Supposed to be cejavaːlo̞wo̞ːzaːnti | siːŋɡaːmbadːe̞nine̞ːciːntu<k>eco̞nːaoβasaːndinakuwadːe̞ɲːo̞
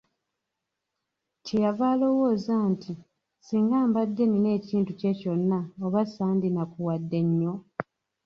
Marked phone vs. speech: incorrect: c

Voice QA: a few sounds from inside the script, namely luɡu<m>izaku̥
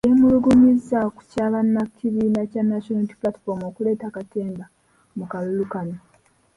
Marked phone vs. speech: correct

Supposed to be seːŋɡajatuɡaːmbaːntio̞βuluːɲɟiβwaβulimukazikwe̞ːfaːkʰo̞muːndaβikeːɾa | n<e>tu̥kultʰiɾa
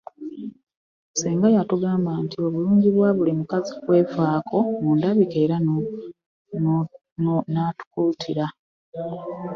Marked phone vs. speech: incorrect: a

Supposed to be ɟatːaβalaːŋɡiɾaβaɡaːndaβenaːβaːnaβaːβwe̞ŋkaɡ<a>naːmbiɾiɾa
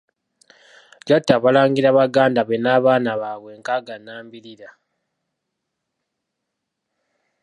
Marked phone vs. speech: correct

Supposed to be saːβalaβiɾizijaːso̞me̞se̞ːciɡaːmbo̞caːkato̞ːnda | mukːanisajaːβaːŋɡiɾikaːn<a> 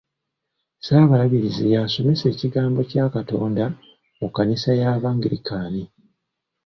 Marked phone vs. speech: incorrect: i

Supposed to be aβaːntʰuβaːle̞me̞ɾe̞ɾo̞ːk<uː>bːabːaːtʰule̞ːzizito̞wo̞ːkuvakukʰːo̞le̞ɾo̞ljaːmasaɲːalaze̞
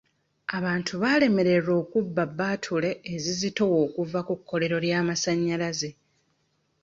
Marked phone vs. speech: incorrect: u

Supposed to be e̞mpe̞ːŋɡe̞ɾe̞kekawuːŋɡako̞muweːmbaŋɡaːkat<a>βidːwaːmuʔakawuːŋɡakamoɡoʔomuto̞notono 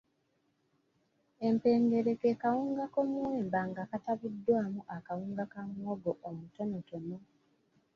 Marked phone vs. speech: correct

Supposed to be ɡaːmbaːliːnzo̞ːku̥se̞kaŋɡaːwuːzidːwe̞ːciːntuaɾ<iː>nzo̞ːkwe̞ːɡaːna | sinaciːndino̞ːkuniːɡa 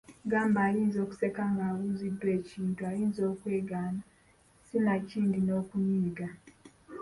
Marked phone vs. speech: correct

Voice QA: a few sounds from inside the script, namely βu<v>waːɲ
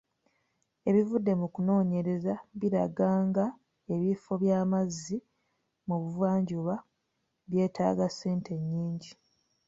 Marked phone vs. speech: correct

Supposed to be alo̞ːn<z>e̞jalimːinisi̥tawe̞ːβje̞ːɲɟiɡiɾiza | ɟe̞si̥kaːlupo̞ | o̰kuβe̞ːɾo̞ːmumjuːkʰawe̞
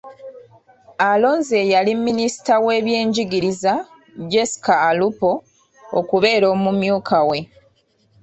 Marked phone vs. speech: correct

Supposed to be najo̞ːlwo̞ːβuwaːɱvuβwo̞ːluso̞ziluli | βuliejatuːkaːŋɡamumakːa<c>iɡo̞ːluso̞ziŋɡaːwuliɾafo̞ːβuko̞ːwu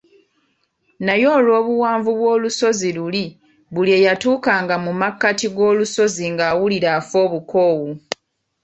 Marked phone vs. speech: incorrect: t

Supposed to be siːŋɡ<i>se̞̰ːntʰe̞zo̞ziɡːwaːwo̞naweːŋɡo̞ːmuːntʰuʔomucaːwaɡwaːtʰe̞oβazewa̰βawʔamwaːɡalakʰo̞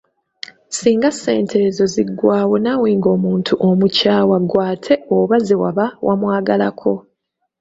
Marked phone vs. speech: incorrect: a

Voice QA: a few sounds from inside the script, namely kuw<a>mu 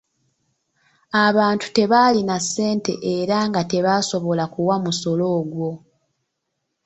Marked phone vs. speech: correct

